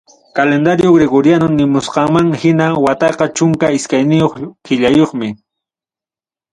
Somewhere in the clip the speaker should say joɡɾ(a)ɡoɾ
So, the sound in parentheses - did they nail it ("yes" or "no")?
no